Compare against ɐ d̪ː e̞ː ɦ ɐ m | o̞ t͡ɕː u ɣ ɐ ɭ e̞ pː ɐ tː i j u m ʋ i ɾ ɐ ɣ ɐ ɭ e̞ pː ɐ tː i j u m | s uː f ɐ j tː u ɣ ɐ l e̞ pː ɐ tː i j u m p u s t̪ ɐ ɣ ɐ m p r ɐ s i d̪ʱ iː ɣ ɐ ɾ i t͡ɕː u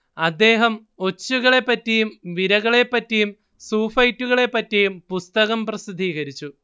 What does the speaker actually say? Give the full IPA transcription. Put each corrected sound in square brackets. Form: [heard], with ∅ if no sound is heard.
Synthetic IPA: ɐ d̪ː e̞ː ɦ ɐ m | o̞ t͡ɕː u ɣ ɐ ɭ e̞ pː ɐ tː i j u m ʋ i ɾ ɐ ɣ ɐ ɭ e̞ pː ɐ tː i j u m | s uː f ɐ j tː u ɣ ɐ [ɭ] e̞ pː ɐ tː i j u m p u s t̪ ɐ ɣ ɐ m p r ɐ s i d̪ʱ iː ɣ ɐ ɾ i t͡ɕː u